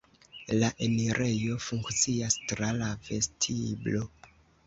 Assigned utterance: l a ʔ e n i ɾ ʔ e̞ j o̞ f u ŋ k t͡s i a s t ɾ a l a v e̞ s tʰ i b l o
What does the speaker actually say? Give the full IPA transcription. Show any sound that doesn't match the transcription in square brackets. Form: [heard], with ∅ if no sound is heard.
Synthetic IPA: l a ʔ e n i ɾ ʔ e̞ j o̞ f u ŋ k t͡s i a s t ɾ a l a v e̞ s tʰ i b l o